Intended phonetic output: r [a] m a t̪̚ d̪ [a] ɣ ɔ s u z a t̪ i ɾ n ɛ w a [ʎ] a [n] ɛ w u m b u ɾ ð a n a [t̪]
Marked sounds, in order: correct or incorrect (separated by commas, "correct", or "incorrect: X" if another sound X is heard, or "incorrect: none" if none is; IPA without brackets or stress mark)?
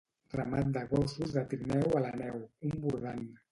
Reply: correct, correct, incorrect: l, correct, incorrect: none